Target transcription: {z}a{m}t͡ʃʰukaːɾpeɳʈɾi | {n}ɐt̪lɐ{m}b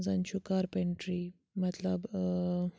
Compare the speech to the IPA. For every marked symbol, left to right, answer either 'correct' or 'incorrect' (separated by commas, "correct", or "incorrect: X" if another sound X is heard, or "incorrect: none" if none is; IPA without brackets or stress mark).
correct, incorrect: n, incorrect: m, incorrect: none